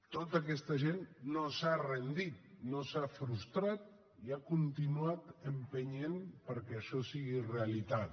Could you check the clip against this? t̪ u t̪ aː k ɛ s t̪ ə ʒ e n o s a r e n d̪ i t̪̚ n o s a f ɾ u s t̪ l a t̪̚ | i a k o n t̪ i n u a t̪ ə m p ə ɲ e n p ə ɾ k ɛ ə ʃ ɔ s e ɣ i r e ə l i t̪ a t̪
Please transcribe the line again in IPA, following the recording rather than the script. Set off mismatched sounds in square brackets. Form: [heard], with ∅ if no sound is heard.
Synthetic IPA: t̪ [o] t̪ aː k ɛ s t̪ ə ʒ e [nː] o s a r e n d̪ i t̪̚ n o s a f ɾ u s t̪ [ɾ] a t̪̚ | i a k [u] n t̪ i n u a t̪ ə m p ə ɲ e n p ə ɾ k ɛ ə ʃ ɔ s [i] ɣ i r e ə l i t̪ a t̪